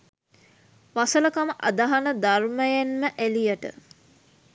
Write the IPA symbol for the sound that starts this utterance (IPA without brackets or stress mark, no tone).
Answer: ʋ